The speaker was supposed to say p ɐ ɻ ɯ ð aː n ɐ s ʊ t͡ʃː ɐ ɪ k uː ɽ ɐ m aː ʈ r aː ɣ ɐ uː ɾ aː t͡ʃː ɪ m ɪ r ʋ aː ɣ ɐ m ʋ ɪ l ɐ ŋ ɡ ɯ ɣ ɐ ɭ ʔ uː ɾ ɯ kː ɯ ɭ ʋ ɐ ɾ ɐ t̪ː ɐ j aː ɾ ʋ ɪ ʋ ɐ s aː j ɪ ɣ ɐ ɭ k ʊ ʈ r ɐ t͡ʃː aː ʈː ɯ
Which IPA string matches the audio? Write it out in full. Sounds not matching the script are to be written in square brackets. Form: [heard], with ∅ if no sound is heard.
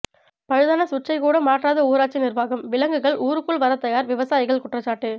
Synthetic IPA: p ɐ ɻ ɯ ð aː n ɐ s ʊ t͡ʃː ɐ ɪ k uː ɽ ɐ m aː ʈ r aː [ð] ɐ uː ɾ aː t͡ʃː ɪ [n] ɪ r ʋ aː ɣ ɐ m ʋ ɪ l ɐ ŋ ɡ ɯ ɣ ɐ ɭ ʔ uː ɾ ɯ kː ɯ ɭ ʋ ɐ ɾ ɐ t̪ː ɐ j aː ɾ ʋ ɪ ʋ ɐ s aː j ɪ ɣ ɐ ɭ k ʊ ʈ r ɐ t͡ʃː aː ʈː ɯ